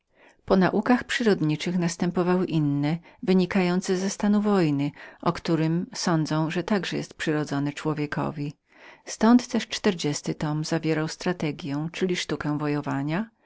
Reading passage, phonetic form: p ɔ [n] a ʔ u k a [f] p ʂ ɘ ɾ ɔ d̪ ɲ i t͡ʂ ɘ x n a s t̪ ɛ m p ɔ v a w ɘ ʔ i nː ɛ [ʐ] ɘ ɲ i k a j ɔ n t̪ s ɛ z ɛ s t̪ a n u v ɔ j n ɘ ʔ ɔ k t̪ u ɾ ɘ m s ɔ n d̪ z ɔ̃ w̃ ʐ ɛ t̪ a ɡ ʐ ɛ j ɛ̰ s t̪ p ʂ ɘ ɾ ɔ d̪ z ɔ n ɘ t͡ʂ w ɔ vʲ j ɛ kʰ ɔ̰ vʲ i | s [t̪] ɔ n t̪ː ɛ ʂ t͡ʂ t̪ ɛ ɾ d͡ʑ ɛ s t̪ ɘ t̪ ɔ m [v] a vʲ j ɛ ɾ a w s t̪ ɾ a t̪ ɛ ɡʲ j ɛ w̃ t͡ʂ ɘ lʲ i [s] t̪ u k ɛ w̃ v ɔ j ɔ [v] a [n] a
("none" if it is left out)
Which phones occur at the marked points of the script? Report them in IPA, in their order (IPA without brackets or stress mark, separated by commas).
n, x, v, t̪, z, ʂ, v, ɲ